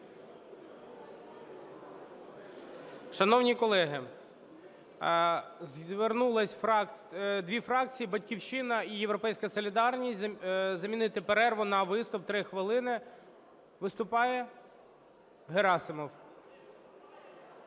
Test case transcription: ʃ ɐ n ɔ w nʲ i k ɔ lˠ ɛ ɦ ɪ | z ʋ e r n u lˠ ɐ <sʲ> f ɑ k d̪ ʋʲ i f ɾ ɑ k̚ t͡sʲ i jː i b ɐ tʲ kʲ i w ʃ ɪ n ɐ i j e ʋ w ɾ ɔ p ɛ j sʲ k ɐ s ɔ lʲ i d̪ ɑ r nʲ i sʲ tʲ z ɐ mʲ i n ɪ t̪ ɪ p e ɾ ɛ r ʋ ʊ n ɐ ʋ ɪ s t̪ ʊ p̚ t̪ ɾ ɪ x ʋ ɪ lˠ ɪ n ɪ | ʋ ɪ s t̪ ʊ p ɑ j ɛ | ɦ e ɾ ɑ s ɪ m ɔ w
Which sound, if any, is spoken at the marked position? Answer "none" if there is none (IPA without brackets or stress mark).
sʲ